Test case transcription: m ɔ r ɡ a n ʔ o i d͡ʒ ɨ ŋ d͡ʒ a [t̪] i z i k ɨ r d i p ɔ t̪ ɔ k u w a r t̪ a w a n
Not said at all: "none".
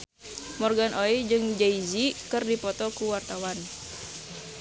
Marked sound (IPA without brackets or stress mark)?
none